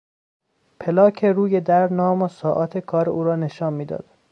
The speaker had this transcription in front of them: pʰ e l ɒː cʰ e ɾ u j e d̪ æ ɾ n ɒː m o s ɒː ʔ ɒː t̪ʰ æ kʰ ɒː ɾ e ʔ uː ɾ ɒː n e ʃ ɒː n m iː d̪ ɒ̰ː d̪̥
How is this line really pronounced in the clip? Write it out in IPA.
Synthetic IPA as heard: pʰ e l ɒː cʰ e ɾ uː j e d̪ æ ɾ n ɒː m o s ɒː ʔ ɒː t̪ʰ e kʰ ɒː ɾ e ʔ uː ɾ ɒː n e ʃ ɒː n m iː d̪ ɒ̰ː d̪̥